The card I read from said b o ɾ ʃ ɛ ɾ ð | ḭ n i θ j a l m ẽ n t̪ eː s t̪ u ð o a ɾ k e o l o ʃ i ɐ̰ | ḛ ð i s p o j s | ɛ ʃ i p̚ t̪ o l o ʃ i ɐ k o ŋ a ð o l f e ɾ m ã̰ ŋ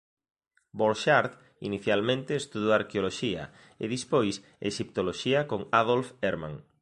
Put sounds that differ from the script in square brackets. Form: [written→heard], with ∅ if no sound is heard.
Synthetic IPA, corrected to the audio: b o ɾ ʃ [ɛ→a] ɾ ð | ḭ n i θ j a l m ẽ n t̪ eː s t̪ u ð o a ɾ k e o l o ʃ i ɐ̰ | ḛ ð i s p o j s | [ɛ→e] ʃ i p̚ t̪ o l o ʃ i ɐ k o ŋ a ð o l f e ɾ m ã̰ ŋ

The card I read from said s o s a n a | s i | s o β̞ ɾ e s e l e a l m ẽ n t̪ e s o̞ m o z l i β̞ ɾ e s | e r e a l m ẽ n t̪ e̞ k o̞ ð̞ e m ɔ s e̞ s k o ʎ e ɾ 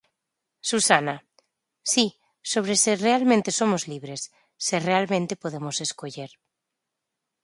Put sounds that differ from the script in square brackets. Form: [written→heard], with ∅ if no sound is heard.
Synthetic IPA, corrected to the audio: s [o→u] s a n a | s i | s o β̞ ɾ e s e [l→r] e a l m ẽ n t̪ e s o̞ m o z l i β̞ ɾ e [s→sː] | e r e a l m ẽ n t̪ e̞ [k→p] o̞ ð̞ e m [ɔ→o] s e̞ s k o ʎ e ɾ

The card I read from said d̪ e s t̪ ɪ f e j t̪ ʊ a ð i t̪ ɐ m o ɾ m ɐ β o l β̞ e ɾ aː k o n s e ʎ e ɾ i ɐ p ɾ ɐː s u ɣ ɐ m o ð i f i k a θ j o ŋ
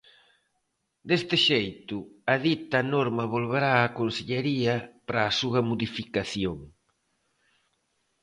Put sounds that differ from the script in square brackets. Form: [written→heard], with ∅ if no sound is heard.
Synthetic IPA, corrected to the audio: d̪ e s t̪ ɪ [f→ʃ] e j t̪ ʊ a ð i t̪ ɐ [m→n] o ɾ m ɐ β o l β̞ e ɾ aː k o n s e ʎ e ɾ i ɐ p ɾ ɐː s u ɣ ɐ m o ð i f i k a θ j o ŋ

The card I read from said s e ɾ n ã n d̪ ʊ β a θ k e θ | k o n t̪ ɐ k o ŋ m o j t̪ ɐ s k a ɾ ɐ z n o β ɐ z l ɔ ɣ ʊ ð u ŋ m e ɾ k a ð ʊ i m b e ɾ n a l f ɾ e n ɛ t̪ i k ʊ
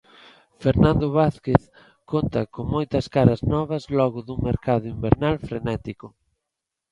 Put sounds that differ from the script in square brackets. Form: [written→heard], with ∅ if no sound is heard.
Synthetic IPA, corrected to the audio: [s→f] e ɾ n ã n d̪ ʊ β a θ k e θ | k o n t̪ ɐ k o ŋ m o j t̪ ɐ s k a ɾ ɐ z n [o→ɔ] β ɐ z l ɔ ɣ ʊ ð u ŋ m e ɾ k a ð ʊ i m b e ɾ n a l f ɾ e n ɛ t̪ i k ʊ

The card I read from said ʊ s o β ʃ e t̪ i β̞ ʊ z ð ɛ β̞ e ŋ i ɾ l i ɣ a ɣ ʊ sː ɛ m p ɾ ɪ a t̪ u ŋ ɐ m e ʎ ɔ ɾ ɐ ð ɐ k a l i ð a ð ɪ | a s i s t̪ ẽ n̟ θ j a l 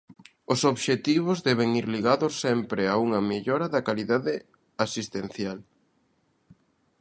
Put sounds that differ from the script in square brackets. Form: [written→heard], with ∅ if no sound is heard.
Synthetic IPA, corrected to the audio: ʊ s o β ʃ e t̪ i β̞ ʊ z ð ɛ β̞ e ŋ i ɾ l i ɣ a [ɣ→ð] ʊ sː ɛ m p ɾ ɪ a [t̪→∅] u ŋ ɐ m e ʎ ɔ ɾ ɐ ð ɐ k a l i ð a ð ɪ | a s i s t̪ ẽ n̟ θ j a l

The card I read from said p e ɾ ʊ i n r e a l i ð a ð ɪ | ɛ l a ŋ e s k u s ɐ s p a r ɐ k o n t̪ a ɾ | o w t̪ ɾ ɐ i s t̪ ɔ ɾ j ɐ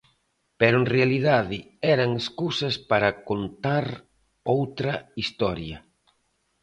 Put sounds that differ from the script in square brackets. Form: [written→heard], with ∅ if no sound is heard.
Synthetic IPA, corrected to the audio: p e ɾ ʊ [i→e] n r e a l i ð a ð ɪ | ɛ [l→ɾ] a ŋ e s k u s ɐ s p a [r→ɾ] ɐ k o n t̪ a ɾ | o w t̪ ɾ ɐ i s t̪ ɔ ɾ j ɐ

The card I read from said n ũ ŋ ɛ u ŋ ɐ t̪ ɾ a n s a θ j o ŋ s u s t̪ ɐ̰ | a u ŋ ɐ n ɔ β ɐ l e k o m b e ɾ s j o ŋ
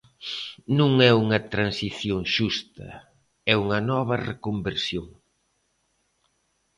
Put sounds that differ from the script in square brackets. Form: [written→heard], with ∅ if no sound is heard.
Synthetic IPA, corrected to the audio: n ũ ŋ ɛ u ŋ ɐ t̪ ɾ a n s [a→i] θ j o ŋ [s→ʃ] u s t̪ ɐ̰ | [a→ɛ] u ŋ ɐ n ɔ β ɐ [l→r] e k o m b e ɾ s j o ŋ

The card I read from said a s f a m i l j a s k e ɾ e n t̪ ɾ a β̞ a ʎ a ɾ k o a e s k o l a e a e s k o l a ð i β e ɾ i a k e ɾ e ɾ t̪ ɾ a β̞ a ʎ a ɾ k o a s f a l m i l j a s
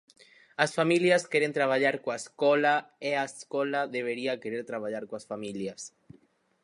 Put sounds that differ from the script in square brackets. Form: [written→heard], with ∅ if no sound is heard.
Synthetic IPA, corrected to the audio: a s f a m i l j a s k e ɾ e n t̪ ɾ a β̞ a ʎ a ɾ k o a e s k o l a e a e s k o l a ð [i→e] β e ɾ i a k e ɾ e ɾ t̪ ɾ a β̞ a ʎ a ɾ k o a s f a [l→∅] m i l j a s

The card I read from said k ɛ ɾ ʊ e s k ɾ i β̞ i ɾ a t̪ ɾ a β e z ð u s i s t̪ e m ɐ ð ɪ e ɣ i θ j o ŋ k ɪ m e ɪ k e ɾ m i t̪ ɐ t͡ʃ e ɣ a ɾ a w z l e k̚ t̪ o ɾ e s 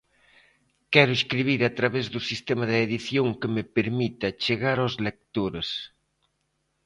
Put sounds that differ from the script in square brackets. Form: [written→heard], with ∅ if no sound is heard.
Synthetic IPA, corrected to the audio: k ɛ ɾ ʊ e s k ɾ i β̞ i ɾ a t̪ ɾ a β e z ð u s i s t̪ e m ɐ ð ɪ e [ɣ→ð] i θ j o ŋ k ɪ m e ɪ [k→p] e ɾ m i t̪ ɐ t͡ʃ e ɣ a ɾ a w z l e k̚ t̪ o ɾ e s

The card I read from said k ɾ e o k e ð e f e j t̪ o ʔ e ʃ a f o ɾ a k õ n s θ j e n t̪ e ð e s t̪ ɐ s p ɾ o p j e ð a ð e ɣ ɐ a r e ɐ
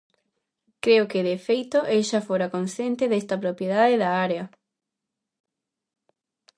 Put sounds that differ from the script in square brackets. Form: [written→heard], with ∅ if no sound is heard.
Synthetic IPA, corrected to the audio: k ɾ e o k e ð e f e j t̪ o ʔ e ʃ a f o ɾ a k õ n s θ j e n t̪ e ð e s t̪ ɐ [s→∅] p ɾ o p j e ð a ð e [ɣ→ð] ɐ a [r→ɾ] e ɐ

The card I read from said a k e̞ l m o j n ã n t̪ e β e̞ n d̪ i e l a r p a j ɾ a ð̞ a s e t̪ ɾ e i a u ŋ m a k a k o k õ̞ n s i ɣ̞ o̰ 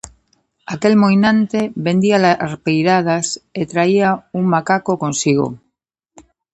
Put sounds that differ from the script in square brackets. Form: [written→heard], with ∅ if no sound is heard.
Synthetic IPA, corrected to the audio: a k e̞ l m o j n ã n t̪ e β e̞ n d̪ i [e→a] l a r p [a→e] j ɾ a ð̞ a s e t̪ ɾ [e→a] i a u ŋ m a k a k o k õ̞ n s i ɣ̞ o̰

